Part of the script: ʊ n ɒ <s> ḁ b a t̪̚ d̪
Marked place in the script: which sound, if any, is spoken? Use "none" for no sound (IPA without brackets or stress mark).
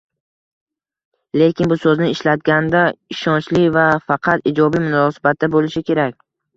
s